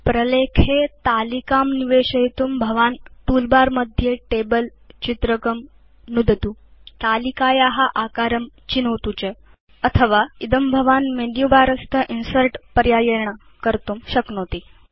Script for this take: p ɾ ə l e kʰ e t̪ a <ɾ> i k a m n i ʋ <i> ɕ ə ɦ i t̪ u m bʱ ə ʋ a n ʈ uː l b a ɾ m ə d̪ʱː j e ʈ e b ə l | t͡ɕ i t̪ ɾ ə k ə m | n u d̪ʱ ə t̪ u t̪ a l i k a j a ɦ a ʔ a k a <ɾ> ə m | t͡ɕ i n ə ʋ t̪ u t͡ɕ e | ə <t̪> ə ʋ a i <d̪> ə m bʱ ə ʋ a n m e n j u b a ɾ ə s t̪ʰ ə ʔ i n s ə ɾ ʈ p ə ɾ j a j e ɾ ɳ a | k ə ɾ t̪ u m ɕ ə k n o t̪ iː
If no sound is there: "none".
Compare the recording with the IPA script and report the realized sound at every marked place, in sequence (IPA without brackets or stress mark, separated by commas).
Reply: l, e, ɾ, t̪ʰ, d̪